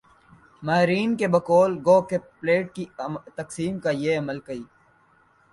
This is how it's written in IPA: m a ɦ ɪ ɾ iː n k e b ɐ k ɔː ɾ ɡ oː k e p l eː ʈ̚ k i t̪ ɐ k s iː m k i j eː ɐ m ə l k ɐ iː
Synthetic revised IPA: m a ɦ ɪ ɾ iː n k e b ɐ k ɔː l ɡ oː k e p l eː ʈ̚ k i t̪ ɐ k s iː m k a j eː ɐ m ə l k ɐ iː